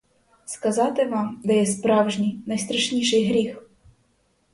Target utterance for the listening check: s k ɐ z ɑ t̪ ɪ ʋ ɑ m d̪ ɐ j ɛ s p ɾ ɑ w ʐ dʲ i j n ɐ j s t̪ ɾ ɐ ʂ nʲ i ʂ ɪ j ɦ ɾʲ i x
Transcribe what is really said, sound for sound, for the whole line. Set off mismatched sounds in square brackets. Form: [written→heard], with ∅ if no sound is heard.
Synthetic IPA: s k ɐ z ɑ t̪ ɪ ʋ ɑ m d̪ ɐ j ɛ s p ɾ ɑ w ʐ [dʲ→nʲ] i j n ɐ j s t̪ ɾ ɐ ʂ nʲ i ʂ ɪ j ɦ ɾʲ i x